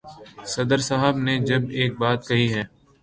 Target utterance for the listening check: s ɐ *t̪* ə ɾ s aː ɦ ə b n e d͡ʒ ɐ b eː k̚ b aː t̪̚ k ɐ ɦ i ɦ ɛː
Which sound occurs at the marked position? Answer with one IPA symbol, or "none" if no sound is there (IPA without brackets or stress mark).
d̪